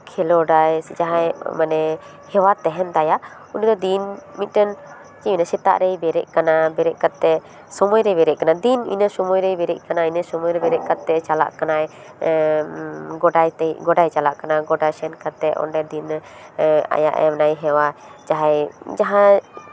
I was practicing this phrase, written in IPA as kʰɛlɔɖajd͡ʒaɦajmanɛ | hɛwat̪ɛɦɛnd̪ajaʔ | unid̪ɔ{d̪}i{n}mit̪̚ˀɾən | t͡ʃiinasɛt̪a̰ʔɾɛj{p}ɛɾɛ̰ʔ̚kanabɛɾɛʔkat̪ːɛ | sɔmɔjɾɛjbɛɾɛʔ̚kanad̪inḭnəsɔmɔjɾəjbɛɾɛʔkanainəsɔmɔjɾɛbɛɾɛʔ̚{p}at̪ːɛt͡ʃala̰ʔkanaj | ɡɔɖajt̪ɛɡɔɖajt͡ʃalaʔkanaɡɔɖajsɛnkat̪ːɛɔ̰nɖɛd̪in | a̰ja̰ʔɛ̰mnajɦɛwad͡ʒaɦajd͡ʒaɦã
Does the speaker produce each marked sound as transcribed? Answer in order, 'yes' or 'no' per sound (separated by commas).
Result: yes, yes, no, no